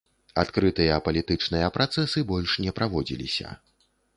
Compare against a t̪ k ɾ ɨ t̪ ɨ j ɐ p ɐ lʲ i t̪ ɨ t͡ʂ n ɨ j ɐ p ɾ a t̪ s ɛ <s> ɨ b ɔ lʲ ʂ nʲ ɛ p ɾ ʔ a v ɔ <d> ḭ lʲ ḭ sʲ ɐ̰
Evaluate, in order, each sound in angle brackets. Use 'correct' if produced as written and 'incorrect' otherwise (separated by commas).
correct, incorrect